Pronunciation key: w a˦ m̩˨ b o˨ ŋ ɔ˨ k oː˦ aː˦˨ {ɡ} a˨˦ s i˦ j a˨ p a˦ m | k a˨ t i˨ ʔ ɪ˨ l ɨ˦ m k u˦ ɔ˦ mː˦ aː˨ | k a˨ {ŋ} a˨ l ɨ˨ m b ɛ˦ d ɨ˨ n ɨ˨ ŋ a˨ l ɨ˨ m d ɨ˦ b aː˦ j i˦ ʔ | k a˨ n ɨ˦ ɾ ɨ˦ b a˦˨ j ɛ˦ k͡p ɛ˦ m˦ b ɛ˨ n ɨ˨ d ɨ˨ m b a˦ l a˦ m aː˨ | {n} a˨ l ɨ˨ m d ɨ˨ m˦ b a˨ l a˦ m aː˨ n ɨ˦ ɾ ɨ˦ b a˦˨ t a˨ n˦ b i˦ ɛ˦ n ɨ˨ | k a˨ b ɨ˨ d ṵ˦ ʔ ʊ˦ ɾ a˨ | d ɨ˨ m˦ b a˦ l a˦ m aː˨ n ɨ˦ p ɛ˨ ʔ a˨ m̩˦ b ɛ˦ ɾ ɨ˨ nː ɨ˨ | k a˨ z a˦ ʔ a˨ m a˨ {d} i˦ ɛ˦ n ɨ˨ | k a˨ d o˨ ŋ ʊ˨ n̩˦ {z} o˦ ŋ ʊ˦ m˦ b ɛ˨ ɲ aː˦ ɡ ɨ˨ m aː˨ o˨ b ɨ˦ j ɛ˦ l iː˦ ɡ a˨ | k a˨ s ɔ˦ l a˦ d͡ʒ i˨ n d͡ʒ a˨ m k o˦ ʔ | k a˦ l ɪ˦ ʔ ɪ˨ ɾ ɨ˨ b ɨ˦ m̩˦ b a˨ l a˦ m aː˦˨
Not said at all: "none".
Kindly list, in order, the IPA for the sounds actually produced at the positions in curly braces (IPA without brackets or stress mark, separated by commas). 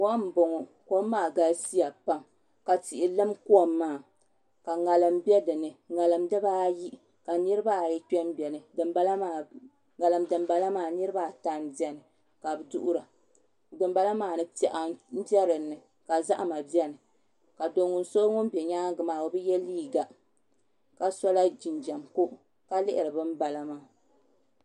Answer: ɡ, ŋ, ŋ, b, s